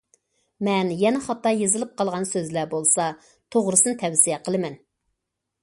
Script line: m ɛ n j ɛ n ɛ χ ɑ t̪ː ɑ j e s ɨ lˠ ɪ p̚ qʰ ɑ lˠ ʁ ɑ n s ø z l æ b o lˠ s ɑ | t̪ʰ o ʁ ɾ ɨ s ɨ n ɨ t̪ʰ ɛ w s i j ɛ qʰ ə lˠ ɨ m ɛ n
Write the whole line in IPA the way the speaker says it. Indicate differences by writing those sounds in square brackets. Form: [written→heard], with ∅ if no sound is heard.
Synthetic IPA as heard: m ɛ n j ɛ n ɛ χ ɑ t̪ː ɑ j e [s→z] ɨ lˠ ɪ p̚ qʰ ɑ lˠ ʁ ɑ n s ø z l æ b o lˠ s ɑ | t̪ʰ o ʁ ɾ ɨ s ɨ n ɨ t̪ʰ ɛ w s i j ɛ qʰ ə lˠ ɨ m ɛ n